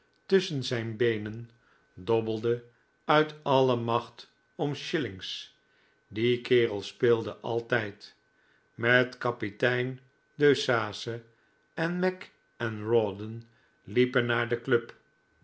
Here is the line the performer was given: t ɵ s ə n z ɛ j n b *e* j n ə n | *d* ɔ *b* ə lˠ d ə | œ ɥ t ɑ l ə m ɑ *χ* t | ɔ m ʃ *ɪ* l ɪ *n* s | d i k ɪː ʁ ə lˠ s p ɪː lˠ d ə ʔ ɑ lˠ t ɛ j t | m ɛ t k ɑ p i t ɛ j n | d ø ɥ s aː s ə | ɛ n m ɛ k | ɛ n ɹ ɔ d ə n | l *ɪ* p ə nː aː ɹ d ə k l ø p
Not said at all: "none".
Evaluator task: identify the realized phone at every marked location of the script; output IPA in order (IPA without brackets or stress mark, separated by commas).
e, d, b, χ, ɪ, ŋ, i